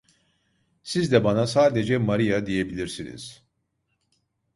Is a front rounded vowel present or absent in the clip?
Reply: absent